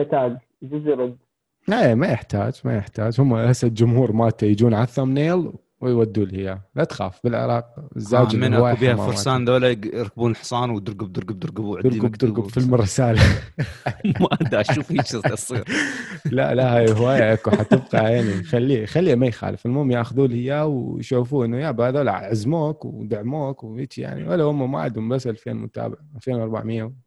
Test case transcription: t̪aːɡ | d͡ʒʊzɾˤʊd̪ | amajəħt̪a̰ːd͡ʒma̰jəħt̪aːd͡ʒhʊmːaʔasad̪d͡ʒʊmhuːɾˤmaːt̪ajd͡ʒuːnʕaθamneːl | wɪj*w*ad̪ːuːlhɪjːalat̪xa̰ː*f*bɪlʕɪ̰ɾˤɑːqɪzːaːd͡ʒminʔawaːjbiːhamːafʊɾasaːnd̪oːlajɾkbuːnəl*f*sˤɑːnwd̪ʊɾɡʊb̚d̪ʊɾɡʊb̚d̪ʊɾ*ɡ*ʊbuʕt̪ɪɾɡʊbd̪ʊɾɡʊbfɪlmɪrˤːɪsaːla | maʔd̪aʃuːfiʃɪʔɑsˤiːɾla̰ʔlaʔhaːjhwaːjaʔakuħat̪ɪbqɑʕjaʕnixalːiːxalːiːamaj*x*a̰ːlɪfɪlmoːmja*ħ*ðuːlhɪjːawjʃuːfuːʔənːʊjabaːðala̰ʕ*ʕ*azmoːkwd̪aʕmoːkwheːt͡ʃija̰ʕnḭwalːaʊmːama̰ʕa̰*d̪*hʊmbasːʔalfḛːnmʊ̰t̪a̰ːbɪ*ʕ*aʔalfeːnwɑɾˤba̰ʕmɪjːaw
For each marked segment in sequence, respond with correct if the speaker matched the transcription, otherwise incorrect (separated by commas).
correct, correct, incorrect, correct, correct, incorrect, correct, correct, correct